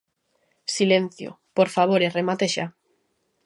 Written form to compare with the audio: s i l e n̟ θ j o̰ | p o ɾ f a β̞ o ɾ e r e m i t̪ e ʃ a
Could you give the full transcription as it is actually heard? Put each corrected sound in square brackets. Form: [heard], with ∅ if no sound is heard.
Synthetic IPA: s i l e n̟ θ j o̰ | p o ɾ f a β̞ o ɾ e r e m [a] t̪ e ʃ a